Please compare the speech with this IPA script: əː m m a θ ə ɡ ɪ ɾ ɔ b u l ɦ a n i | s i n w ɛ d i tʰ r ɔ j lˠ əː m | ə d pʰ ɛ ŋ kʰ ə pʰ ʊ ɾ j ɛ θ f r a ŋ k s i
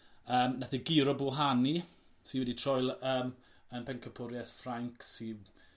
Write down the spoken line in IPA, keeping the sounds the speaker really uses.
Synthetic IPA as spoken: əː m n a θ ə ɡ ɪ ɾ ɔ b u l ɦ a n i | s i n w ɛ d i tʰ r ɔ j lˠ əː m | ə n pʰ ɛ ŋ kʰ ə pʰ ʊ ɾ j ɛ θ f r a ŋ k s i